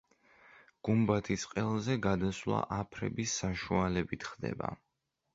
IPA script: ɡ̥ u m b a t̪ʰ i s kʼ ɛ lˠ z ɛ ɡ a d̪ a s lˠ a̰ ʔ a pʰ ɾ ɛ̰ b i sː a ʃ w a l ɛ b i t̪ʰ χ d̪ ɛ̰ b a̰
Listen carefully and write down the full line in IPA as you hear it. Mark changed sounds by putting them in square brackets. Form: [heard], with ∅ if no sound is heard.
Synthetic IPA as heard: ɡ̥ u m b a t̪ʰ i s [qʼ] ɛ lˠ z ɛ ɡ a d̪ a s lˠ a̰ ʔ a pʰ ɾ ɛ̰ b i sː a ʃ [u] a l ɛ b i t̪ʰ χ d̪ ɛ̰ b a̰